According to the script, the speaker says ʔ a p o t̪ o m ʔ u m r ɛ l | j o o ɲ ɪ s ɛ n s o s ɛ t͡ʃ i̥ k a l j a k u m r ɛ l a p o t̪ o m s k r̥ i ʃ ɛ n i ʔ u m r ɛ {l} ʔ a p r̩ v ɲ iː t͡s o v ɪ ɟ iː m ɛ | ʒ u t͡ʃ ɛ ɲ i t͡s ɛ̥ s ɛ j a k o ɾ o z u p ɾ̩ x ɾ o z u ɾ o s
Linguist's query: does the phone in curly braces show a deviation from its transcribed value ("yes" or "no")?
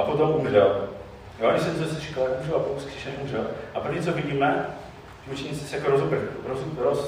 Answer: no